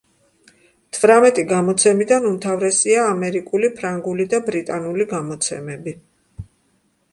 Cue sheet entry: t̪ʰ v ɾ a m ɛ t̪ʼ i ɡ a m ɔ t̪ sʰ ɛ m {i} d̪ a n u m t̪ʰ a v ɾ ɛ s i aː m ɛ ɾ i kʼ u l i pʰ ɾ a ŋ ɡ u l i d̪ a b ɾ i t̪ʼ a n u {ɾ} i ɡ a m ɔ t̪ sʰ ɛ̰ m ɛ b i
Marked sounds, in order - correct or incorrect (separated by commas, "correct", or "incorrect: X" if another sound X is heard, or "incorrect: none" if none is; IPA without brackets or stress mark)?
correct, incorrect: l